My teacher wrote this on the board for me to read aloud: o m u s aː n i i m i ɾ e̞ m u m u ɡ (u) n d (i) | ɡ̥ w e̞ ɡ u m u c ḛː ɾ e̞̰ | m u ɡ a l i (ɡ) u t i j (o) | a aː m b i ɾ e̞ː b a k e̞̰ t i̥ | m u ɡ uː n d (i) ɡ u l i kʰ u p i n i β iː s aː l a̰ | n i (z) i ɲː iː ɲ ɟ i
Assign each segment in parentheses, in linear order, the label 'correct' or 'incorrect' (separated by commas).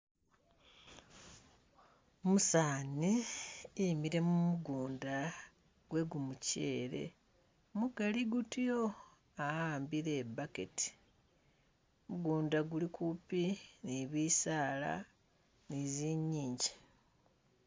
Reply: incorrect, incorrect, correct, correct, incorrect, correct